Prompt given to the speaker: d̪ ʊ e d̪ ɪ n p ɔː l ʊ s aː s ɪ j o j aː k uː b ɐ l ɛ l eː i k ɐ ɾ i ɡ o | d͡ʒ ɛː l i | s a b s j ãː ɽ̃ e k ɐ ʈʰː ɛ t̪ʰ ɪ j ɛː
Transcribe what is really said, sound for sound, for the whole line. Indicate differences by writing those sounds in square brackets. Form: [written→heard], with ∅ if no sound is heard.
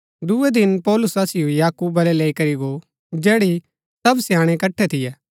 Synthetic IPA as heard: d̪ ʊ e d̪ ɪ n p ɔː l ʊ s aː s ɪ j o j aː k uː b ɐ l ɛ l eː i k ɐ ɾ i ɡ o | d͡ʒ ɛː [l→ɽ] i | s [a→ɐ] b s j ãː ɽ̃ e k ɐ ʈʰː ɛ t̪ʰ ɪ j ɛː